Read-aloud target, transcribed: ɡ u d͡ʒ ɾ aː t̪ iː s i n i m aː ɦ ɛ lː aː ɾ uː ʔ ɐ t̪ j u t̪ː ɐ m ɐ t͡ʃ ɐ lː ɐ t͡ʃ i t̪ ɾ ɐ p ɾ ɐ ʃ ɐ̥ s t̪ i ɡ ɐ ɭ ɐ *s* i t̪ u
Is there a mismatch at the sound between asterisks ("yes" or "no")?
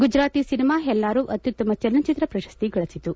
no